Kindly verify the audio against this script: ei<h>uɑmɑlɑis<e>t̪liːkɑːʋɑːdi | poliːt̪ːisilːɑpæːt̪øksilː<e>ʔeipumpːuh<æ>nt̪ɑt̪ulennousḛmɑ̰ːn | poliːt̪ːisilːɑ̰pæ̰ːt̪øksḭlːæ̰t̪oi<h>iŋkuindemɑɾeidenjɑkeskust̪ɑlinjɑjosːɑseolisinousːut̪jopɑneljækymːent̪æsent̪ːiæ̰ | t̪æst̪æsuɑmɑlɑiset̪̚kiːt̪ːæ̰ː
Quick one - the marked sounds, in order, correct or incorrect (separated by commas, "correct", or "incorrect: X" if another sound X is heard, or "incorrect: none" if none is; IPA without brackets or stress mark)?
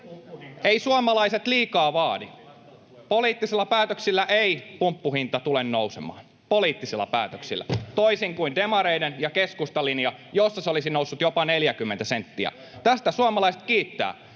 incorrect: s, correct, incorrect: æ, incorrect: i, incorrect: s